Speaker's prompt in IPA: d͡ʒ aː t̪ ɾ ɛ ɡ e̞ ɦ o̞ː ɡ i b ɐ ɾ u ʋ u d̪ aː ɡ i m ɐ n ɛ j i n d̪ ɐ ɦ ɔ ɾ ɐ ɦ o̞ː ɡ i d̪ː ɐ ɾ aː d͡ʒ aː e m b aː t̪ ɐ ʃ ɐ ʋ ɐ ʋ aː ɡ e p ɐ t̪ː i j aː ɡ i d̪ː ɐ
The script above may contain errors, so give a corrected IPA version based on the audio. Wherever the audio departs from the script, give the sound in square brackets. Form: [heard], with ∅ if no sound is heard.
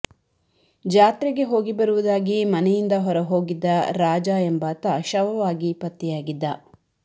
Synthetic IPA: d͡ʒ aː t̪ ɾ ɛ ɡ e̞ ɦ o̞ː ɡ i b ɐ ɾ u ʋ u d̪ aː ɡ i m ɐ n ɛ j i n d̪ ɐ ɦ ɔ ɾ ɐ ɦ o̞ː ɡ i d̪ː ɐ ɾ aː d͡ʒ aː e m b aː t̪ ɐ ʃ ɐ ʋ ɐ ʋ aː ɡ [i] p ɐ t̪ː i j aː ɡ i d̪ː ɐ